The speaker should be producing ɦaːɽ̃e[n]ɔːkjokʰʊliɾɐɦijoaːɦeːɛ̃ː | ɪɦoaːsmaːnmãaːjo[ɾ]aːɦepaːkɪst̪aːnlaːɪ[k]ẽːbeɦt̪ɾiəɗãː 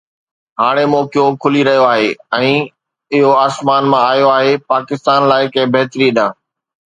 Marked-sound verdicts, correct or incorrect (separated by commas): incorrect, incorrect, correct